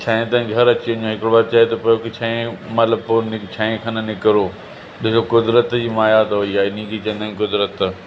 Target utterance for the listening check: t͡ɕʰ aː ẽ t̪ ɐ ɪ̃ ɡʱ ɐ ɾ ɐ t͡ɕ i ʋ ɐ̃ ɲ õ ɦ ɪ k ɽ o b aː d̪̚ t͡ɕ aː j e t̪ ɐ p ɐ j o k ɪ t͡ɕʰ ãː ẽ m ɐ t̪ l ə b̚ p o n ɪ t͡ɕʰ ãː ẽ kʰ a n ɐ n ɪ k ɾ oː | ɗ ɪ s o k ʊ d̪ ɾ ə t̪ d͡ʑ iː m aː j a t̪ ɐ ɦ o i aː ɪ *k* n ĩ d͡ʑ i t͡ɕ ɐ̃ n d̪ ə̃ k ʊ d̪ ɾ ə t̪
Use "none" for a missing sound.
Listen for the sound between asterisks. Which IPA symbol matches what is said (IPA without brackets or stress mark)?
none